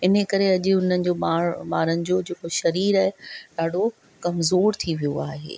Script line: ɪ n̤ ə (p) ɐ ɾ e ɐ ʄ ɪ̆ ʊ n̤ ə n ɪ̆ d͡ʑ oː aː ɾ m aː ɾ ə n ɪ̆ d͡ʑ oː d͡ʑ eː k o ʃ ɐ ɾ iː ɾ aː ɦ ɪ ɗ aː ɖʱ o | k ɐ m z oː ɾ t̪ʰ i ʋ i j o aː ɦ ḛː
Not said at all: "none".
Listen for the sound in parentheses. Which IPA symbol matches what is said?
k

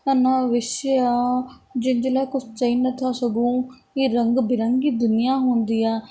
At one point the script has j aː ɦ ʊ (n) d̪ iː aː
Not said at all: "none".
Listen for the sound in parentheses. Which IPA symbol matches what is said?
n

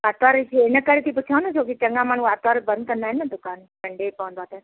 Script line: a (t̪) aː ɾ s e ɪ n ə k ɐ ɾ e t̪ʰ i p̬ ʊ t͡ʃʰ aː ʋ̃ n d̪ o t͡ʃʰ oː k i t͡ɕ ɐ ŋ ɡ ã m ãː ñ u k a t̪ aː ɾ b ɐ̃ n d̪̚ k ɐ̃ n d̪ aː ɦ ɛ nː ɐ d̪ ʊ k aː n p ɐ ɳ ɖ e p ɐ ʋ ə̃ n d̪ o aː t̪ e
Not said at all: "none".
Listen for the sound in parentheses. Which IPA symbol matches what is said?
t̪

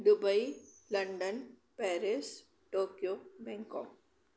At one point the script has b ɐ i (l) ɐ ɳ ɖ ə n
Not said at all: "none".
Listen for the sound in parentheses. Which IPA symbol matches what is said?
l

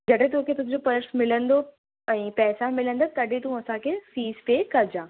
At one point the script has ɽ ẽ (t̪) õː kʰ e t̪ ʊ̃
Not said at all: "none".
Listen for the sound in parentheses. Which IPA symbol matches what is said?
t̪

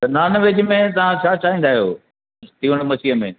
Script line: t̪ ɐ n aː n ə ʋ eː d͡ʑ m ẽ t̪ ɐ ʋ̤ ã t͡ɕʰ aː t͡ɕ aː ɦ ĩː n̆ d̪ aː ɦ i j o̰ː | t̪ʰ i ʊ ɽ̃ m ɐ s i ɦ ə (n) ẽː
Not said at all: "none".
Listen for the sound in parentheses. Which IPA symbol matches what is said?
m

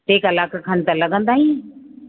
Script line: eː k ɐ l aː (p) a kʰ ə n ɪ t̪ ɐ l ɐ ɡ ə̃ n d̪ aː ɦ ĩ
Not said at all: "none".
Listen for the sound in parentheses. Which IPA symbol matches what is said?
k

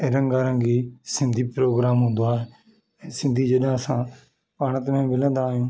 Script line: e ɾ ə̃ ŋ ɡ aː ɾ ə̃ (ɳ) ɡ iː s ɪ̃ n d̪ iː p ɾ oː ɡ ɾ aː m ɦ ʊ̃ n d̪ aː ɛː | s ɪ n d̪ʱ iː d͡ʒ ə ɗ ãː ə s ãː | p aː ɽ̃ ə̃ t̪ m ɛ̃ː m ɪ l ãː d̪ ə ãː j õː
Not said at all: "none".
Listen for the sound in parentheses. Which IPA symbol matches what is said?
ŋ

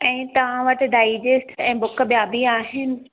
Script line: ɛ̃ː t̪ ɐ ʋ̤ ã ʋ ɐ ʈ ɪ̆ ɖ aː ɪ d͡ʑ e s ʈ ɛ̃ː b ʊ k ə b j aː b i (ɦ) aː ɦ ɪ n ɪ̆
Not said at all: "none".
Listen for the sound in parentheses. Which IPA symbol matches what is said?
none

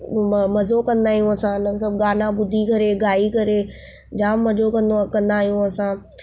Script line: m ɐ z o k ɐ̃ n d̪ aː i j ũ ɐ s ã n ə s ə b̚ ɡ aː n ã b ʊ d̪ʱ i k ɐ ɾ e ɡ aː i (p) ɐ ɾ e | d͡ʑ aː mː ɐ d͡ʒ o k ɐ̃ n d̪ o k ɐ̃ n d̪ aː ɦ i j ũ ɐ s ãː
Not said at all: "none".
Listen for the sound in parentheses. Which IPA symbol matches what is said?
k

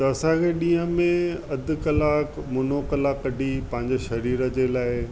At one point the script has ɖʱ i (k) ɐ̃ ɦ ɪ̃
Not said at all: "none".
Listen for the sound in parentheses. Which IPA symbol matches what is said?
p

